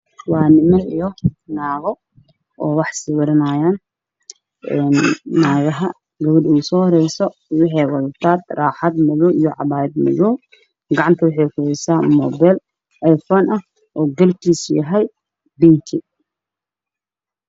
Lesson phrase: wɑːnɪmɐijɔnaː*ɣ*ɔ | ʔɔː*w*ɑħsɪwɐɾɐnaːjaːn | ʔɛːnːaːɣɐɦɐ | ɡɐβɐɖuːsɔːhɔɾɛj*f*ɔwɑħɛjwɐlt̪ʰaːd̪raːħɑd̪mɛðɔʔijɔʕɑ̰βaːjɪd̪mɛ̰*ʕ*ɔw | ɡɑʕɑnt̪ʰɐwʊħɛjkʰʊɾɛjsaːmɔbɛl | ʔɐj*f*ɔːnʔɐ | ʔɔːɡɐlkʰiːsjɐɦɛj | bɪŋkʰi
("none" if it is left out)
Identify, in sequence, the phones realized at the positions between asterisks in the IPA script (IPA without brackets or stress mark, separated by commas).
ɣ, w, s, ð, f